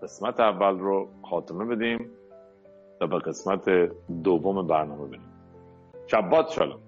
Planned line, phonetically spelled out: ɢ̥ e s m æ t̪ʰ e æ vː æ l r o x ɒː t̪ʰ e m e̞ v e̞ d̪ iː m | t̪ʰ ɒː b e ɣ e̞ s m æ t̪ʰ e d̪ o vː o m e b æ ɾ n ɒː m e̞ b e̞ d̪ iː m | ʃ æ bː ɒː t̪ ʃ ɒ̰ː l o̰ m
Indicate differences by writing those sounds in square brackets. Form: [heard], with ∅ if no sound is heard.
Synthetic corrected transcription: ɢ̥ e s m æ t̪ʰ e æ vː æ l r o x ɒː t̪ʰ e m e̞ [b] e̞ d̪ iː m | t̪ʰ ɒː b e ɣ e̞ s m æ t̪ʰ e d̪ o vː o m e b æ ɾ n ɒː m e̞ b e̞ d̪ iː m | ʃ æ bː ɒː t̪ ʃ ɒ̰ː l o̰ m